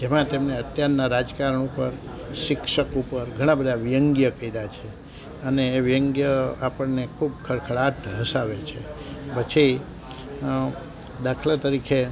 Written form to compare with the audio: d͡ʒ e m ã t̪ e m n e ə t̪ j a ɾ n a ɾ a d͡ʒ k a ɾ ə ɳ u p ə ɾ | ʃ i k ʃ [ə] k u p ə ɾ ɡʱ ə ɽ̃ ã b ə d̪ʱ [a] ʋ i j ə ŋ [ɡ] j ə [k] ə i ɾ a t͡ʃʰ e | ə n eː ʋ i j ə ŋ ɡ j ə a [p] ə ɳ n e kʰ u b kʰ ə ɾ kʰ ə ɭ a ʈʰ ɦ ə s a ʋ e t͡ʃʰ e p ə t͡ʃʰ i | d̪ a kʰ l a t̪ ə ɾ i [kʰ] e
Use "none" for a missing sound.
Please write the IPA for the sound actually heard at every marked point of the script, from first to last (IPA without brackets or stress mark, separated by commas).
ə, a, ɡ, k, p, kʰ